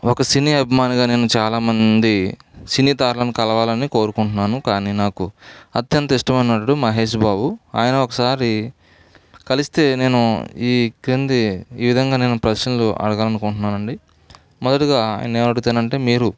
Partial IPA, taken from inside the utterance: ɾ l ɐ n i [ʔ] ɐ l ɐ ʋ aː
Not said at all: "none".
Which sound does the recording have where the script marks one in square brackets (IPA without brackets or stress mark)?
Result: k